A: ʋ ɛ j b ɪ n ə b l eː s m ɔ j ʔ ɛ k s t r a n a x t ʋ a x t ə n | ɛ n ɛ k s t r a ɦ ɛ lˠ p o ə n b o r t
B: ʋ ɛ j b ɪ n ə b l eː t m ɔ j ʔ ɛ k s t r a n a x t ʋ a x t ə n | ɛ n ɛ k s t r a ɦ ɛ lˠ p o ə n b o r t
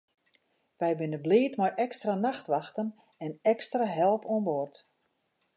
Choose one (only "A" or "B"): B